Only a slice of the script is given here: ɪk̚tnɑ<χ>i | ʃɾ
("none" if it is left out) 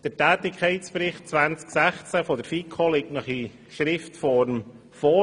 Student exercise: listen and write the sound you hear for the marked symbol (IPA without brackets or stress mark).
χ